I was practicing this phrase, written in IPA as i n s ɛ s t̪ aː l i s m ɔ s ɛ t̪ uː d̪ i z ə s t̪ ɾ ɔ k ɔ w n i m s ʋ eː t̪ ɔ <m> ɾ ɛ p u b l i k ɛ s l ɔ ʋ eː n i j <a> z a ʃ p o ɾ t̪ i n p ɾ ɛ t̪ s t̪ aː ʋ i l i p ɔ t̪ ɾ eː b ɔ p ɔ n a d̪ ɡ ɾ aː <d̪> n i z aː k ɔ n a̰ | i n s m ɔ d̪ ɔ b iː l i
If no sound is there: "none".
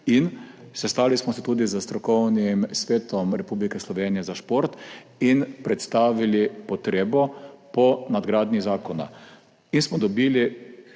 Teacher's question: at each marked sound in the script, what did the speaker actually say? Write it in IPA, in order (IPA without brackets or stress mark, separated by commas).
m, ɛ, d̪